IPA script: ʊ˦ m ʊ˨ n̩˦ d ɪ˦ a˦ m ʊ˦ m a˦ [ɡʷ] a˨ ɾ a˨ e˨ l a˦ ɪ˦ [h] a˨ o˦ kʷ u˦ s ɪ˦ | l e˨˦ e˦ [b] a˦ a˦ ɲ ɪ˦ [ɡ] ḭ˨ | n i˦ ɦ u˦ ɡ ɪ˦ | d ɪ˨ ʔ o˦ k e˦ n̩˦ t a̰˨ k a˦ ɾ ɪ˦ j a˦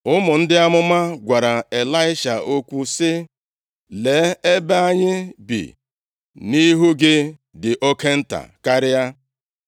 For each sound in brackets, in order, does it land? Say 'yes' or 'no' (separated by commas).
yes, no, yes, no